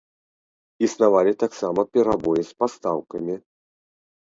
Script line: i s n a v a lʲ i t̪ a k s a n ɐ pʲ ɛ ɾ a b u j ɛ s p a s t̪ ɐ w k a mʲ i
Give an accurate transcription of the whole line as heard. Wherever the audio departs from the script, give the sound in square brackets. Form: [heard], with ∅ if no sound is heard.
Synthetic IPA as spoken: i s n a v a lʲ i t̪ a k s a [m] ɐ pʲ ɛ ɾ a b [ɔ] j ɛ s p a s t̪ [a] w k [ɐ] mʲ i